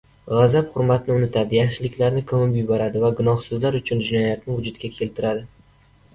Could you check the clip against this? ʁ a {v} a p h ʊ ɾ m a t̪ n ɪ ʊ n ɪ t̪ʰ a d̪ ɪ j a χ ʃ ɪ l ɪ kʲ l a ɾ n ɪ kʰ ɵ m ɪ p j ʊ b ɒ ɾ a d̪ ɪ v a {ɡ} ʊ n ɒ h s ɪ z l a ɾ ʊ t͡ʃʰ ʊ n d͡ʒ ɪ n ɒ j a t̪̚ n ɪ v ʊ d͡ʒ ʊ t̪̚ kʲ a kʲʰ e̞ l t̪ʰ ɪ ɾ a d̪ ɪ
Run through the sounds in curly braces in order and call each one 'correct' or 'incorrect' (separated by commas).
incorrect, correct